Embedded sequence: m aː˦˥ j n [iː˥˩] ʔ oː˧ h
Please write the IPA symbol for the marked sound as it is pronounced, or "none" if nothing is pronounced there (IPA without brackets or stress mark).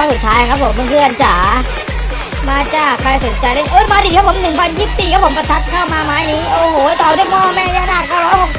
iː˦˥